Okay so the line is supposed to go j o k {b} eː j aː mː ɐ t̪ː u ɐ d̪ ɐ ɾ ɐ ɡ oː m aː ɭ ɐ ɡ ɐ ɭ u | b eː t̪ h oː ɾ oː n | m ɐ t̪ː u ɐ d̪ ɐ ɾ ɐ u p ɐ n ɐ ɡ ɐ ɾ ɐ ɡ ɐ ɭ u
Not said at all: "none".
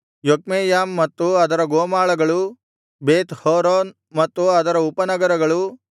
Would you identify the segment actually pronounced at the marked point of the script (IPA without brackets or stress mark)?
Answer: m